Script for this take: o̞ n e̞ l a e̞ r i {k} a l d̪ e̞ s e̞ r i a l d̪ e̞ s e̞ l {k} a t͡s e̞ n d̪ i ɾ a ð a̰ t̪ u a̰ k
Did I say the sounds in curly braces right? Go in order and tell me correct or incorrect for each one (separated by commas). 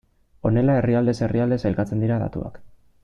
incorrect, correct